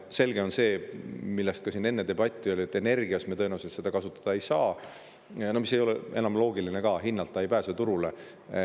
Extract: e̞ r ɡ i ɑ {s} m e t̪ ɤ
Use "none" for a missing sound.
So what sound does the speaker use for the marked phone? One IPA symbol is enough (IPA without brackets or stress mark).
s